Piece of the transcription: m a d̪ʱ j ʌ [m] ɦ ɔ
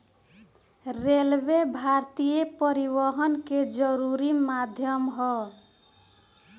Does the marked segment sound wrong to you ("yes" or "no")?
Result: no